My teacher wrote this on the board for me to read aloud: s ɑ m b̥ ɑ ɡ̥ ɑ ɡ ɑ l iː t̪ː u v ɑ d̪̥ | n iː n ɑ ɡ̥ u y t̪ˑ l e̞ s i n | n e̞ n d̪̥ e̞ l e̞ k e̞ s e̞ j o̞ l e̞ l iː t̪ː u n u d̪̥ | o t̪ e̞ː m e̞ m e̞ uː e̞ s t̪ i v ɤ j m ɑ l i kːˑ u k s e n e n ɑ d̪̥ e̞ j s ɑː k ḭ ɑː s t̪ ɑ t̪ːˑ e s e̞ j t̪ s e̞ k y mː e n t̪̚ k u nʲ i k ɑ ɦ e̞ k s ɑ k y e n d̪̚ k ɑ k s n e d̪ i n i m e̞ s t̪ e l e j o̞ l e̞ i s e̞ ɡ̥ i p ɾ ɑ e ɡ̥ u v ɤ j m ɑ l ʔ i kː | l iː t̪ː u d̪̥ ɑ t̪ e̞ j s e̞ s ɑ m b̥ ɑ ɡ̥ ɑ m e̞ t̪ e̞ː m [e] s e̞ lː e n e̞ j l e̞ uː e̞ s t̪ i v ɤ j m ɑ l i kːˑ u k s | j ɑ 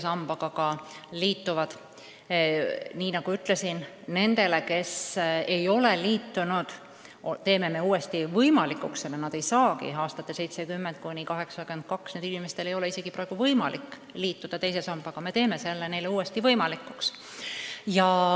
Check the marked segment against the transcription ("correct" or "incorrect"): correct